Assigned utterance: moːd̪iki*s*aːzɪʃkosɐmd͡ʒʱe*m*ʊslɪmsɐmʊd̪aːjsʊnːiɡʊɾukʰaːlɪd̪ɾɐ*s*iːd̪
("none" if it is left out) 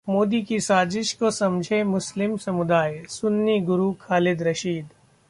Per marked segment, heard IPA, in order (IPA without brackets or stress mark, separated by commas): s, m, ʃ